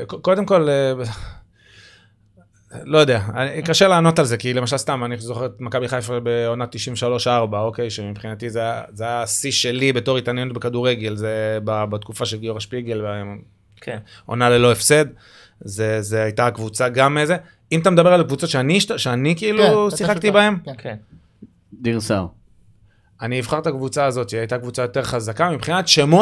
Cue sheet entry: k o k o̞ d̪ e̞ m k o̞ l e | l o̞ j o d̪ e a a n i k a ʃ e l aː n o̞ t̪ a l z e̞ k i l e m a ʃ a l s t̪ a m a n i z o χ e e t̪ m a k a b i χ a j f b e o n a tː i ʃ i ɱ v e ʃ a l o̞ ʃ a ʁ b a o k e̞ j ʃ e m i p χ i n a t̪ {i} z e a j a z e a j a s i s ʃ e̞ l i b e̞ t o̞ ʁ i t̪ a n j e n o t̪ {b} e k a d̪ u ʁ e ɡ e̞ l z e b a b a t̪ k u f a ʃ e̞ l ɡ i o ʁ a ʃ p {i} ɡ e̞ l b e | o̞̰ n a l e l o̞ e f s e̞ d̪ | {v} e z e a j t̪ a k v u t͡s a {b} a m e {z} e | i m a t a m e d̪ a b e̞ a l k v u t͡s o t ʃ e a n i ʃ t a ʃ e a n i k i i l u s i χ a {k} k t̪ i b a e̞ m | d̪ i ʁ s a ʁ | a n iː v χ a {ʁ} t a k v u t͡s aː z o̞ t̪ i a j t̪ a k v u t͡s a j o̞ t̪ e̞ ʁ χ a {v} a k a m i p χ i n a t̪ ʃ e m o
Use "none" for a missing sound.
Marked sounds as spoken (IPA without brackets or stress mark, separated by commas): i, b, i, z, ɡ, z, k, ʁ, z